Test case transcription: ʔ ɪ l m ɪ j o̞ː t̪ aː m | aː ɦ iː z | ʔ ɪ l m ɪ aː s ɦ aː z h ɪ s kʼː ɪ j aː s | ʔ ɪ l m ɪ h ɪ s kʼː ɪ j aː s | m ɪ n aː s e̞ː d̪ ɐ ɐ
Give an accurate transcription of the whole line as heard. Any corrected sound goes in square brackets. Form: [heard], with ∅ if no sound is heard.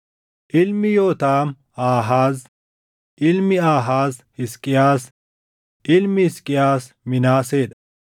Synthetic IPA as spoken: ʔ ɪ l m ɪ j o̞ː t̪ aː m | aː ɦ [aː] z | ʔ ɪ l m ɪ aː [∅] ɦ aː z h ɪ s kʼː ɪ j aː s | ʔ ɪ l m ɪ h ɪ s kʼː ɪ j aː s | m ɪ n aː s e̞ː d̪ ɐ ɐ